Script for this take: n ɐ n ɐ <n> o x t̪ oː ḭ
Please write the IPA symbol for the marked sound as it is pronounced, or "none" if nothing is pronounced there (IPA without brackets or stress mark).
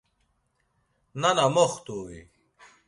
m